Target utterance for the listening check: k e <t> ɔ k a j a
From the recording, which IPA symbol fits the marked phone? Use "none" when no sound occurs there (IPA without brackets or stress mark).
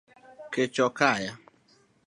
t͡ʃ